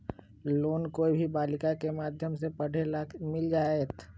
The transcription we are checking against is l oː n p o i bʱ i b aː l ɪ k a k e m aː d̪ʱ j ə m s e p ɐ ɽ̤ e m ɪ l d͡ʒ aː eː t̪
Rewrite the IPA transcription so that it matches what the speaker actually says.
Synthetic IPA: l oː n k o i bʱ i b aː l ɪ k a k e m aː d̪ʱ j ə m s e p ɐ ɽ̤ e m ɪ l d͡ʒ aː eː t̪